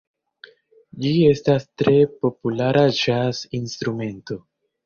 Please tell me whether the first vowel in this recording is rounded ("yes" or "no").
no